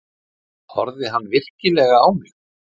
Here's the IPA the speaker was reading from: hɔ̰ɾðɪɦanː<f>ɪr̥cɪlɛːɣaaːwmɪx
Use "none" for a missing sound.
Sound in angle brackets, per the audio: v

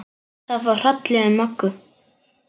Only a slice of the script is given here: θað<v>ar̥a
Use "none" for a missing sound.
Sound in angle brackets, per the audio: v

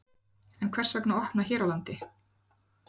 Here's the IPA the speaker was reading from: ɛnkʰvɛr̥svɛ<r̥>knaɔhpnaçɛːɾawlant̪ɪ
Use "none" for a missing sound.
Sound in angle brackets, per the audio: none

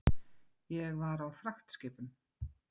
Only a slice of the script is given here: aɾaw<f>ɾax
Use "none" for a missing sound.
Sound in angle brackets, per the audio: f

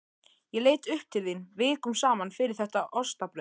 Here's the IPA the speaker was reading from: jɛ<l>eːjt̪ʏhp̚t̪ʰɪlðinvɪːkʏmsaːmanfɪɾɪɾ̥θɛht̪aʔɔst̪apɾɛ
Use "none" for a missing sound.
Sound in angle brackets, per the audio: l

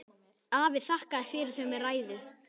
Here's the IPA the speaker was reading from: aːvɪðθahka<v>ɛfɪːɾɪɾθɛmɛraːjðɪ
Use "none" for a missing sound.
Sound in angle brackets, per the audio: ð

